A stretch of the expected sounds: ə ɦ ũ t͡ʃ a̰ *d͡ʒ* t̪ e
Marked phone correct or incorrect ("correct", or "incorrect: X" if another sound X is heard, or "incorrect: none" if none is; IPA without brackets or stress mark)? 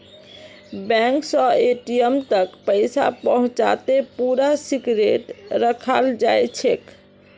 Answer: incorrect: none